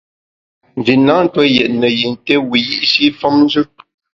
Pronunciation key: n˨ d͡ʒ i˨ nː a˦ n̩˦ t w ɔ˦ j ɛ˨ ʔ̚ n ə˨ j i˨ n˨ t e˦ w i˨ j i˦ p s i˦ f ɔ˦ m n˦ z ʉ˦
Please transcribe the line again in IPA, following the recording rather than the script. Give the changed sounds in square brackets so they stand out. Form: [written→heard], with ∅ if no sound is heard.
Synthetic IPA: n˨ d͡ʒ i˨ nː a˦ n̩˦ t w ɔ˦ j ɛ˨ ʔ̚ n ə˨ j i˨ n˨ t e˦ w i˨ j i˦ [p→ʔ] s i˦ f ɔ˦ m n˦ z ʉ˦